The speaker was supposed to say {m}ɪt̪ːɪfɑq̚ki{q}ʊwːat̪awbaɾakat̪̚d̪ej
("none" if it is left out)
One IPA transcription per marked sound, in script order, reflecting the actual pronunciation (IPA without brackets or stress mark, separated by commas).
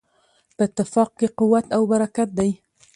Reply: b, q